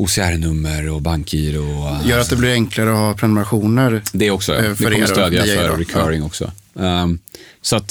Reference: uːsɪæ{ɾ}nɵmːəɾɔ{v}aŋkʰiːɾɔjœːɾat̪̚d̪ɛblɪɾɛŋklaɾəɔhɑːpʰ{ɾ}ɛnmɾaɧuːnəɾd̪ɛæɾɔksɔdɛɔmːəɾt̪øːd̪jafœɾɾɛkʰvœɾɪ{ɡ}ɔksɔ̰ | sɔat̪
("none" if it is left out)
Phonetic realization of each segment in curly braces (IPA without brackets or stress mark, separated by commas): ɾ, b, ɾ, ŋ